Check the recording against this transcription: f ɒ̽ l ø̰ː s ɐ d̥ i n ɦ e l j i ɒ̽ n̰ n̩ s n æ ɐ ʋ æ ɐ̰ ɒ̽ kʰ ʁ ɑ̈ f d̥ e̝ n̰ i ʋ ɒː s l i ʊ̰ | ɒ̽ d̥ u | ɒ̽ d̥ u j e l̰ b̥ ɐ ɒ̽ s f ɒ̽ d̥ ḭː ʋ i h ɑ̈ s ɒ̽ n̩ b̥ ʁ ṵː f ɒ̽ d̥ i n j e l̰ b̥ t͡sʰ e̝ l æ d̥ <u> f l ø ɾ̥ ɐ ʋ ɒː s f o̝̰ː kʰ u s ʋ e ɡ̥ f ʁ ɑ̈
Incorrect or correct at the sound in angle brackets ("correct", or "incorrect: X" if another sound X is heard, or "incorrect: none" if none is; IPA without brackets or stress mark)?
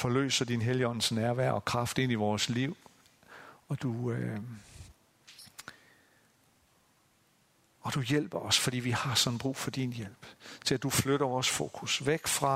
correct